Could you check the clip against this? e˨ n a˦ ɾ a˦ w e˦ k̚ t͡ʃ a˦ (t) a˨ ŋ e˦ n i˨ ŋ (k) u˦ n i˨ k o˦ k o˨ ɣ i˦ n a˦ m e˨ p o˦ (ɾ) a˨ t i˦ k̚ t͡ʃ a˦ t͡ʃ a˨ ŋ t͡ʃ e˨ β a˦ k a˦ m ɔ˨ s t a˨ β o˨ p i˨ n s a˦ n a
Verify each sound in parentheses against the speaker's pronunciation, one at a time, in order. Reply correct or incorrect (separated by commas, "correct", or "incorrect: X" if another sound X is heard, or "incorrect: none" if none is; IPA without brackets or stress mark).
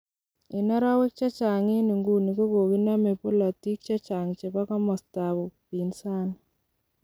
incorrect: t͡ʃ, incorrect: ɡ, incorrect: l